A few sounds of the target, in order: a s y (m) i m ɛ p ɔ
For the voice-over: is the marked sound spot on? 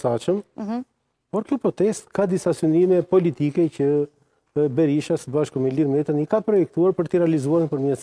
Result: no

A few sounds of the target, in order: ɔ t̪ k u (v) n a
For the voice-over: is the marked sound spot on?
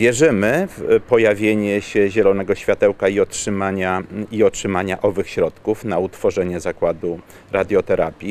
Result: no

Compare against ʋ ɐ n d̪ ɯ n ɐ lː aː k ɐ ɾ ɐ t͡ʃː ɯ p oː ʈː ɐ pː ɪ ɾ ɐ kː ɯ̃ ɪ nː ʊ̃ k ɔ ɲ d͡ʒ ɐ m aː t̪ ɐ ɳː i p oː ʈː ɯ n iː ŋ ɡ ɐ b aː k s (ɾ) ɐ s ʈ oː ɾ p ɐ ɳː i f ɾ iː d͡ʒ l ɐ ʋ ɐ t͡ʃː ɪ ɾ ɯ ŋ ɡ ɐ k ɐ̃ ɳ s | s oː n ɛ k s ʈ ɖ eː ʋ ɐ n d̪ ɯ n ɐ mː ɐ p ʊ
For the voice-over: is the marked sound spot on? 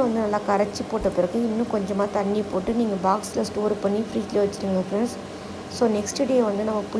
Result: no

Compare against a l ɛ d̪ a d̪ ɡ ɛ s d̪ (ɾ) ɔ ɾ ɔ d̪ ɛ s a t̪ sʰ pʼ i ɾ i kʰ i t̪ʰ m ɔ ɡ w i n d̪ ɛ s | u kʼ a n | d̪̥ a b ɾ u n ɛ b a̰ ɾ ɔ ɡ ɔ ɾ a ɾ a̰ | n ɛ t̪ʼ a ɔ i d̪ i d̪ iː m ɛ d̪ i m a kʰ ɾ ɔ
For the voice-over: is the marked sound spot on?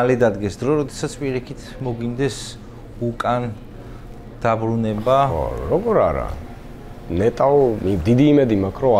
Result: yes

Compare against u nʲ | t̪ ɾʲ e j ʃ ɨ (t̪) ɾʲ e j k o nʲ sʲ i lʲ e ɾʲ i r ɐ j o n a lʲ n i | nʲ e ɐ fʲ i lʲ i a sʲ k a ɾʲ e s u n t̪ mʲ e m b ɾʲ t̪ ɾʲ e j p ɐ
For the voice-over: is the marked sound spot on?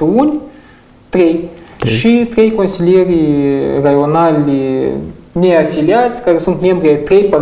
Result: yes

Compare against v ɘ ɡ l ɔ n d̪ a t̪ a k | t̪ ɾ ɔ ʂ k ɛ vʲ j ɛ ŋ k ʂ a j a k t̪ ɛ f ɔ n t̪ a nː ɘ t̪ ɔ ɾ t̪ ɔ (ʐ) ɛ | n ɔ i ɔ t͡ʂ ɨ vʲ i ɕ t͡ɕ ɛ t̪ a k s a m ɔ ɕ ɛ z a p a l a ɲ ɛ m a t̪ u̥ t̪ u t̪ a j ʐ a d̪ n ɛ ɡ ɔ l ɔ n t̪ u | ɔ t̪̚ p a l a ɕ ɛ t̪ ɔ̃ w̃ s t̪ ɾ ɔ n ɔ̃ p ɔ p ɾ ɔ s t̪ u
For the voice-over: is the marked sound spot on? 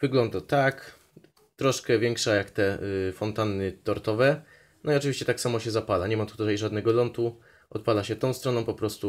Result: no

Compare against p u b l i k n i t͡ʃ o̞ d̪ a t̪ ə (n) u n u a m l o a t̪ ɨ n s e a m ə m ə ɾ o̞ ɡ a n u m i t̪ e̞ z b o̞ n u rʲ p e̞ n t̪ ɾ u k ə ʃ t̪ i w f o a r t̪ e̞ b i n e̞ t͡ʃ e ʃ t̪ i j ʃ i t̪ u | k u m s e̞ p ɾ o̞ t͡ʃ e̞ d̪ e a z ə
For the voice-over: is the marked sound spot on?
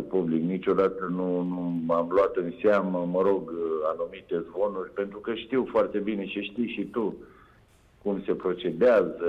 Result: yes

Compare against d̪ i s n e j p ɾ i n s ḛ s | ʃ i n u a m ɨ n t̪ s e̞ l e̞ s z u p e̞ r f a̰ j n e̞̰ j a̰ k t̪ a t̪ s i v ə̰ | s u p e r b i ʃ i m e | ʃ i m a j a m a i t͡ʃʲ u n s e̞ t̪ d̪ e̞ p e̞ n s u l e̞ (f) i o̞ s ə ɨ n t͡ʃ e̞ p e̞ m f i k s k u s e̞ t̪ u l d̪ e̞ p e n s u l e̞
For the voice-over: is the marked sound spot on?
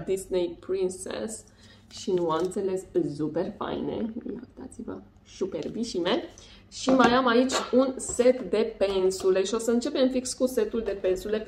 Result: no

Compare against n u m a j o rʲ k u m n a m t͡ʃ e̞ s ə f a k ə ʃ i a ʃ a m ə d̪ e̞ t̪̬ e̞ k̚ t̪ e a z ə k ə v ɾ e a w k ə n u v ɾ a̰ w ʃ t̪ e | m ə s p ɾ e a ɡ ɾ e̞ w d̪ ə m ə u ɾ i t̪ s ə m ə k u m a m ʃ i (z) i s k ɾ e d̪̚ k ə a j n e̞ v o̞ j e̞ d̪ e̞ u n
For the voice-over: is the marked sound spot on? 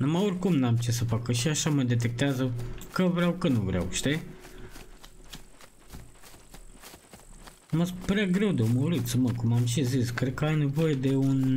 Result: yes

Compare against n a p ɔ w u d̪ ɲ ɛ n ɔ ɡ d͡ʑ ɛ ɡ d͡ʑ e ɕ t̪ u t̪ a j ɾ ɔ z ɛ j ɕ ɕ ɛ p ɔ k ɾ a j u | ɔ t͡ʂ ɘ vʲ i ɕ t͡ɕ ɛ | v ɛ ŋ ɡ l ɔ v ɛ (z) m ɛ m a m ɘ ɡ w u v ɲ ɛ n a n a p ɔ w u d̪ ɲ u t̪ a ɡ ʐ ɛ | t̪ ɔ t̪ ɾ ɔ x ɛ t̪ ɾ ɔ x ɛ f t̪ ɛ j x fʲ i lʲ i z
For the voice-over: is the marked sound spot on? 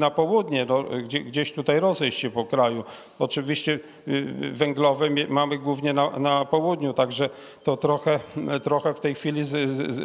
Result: no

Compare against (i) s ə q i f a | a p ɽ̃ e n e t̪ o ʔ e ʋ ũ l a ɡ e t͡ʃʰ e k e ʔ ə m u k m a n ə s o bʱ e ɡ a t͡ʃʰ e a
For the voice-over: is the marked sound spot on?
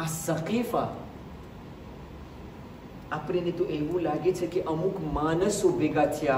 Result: no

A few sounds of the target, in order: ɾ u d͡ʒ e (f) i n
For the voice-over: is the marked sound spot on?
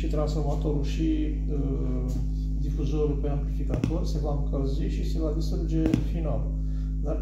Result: yes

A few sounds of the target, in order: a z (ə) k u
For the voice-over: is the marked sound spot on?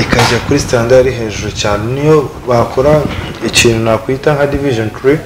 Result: no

